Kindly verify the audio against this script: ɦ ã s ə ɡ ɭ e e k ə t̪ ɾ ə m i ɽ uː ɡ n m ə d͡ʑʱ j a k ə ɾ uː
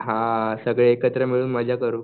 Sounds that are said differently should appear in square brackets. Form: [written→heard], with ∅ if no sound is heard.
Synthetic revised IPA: ɦ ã s ə ɡ ɭ e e k ə t̪ ɾ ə m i [ɽ→ɭ] uː [ɡ→∅] n m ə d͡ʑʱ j a k ə ɾ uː